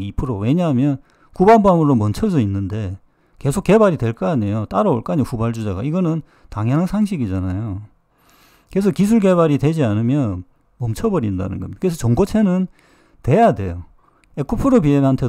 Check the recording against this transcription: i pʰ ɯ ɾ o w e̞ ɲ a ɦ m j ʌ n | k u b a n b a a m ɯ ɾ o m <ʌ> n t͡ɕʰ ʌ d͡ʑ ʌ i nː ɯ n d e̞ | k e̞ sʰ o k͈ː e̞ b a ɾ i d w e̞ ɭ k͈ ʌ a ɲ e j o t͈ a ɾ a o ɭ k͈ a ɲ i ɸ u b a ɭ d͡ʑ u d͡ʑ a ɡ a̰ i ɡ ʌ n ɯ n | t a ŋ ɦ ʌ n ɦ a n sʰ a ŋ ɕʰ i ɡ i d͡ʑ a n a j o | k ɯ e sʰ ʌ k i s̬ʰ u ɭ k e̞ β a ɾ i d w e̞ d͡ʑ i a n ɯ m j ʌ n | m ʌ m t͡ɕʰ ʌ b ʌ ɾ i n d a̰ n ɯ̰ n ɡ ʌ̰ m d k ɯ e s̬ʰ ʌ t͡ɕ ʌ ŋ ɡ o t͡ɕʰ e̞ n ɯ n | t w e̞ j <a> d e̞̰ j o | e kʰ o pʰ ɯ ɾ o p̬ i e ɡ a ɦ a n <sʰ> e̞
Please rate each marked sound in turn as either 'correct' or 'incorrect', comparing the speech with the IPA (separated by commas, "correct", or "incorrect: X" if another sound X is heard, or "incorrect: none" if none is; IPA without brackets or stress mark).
correct, correct, incorrect: tʰ